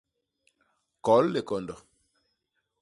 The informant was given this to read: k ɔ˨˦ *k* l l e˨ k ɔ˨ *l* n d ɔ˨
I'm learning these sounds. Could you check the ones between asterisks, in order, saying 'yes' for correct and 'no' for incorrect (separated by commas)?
no, no